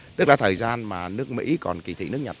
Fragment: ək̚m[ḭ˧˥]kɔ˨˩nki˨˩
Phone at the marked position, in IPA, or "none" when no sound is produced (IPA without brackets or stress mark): ḭ˧˥